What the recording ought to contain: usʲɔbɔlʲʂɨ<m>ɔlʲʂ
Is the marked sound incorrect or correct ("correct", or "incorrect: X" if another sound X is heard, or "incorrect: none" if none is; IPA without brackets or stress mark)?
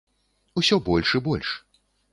incorrect: b